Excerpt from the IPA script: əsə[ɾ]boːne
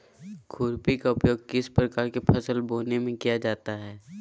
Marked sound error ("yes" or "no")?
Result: yes